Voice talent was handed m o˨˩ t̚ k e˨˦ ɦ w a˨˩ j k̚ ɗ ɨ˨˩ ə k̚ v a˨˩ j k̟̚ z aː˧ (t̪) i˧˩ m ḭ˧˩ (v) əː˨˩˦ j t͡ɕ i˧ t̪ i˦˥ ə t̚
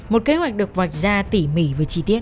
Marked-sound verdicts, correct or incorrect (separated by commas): correct, correct